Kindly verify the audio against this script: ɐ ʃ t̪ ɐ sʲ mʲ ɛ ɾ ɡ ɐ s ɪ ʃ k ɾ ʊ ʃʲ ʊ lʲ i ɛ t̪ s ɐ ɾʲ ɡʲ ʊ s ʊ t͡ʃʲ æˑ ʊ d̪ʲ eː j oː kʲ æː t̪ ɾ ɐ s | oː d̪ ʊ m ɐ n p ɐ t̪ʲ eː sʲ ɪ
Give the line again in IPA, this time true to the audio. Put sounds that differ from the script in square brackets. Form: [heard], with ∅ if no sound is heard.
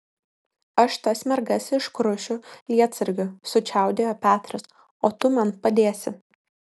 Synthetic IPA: ɐ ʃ t̪ ɐ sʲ mʲ ɛ ɾ ɡ ɐ s ɪ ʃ k ɾ ʊ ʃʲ ʊ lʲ i ɛ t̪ s ɐ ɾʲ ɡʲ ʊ s ʊ t͡ʃʲ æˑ ʊ d̪ʲ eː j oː [pʲ] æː t̪ ɾ ɐ s | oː [t̪] ʊ m ɐ n p ɐ [d̪ʲ] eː sʲ ɪ